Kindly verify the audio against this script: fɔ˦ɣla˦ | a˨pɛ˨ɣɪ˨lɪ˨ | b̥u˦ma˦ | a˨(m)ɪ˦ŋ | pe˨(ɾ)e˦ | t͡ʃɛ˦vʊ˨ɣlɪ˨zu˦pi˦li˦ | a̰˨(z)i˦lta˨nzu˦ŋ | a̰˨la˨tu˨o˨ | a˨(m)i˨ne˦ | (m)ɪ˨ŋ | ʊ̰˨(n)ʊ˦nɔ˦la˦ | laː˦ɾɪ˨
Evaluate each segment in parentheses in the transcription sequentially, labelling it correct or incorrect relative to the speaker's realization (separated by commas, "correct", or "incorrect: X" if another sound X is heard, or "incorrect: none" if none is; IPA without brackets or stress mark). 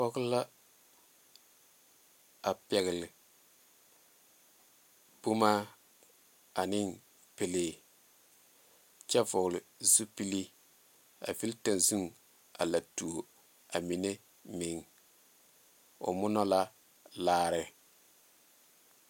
incorrect: n, incorrect: l, incorrect: v, correct, correct, incorrect: m